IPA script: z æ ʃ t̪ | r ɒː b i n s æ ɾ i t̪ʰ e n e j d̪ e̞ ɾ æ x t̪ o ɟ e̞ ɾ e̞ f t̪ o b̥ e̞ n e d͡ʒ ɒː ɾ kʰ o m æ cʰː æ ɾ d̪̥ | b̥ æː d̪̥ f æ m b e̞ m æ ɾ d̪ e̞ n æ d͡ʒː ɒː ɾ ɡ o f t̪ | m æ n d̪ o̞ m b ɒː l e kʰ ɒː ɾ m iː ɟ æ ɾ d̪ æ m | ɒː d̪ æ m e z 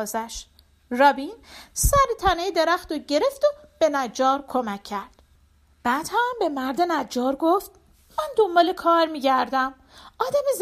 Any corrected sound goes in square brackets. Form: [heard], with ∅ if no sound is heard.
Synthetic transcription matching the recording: z æ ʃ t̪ | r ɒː b i n s æ ɾ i t̪ʰ [æ] n e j d̪ e̞ ɾ æ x t̪ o ɟ e̞ ɾ e̞ f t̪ o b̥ e̞ n [æ] d͡ʒ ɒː ɾ kʰ o m æ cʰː æ ɾ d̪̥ | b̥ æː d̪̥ [h] æ m b e̞ m æ ɾ d̪ e̞ n æ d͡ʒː ɒː ɾ ɡ o f t̪ | m æ n d̪ o̞ m b ɒː l e kʰ ɒː ɾ m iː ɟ æ ɾ d̪ æ m | ɒː d̪ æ m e z